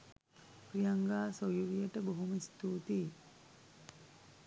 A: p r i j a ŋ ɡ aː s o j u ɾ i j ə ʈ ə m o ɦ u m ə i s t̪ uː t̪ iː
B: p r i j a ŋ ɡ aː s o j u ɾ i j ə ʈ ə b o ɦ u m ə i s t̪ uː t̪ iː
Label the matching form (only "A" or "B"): B